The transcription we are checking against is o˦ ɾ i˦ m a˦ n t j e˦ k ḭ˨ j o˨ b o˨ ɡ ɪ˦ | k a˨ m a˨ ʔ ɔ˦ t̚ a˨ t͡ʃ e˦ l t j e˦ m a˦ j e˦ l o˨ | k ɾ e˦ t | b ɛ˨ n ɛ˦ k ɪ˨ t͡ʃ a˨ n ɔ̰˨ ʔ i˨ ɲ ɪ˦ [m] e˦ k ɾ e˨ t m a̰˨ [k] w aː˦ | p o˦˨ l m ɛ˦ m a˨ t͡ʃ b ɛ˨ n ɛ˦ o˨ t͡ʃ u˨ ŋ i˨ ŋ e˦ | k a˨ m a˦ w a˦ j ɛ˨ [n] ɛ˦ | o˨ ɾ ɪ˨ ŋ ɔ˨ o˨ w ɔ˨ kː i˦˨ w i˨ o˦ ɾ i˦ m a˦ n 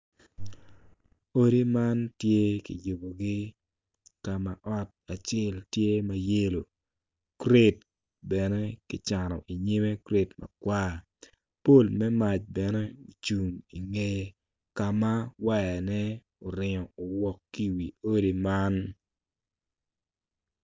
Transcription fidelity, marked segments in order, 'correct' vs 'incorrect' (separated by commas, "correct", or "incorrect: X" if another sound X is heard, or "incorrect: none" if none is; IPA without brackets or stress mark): correct, correct, correct